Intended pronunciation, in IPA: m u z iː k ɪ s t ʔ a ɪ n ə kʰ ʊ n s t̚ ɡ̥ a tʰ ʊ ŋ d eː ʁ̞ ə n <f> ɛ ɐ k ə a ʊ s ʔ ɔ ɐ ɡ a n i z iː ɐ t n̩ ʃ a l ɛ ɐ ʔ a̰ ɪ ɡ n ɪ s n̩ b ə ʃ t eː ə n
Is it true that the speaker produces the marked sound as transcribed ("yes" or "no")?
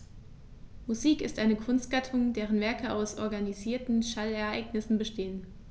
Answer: no